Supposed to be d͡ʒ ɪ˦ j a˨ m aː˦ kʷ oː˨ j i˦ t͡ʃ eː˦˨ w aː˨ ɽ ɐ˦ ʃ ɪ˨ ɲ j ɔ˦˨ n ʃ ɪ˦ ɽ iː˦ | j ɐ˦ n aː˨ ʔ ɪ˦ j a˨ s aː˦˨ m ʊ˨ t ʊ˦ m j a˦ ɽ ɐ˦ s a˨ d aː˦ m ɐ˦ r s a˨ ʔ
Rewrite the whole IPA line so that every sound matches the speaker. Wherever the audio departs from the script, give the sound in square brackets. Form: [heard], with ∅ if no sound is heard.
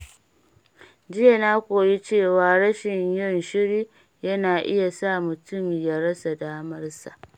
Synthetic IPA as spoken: d͡ʒ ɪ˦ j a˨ [n] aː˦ kʷ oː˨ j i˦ t͡ʃ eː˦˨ w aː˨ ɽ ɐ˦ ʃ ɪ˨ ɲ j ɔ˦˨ n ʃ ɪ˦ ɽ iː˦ | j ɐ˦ n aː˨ ʔ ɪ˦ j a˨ s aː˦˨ m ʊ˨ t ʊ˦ m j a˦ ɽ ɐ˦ s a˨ d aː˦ m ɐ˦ r s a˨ ʔ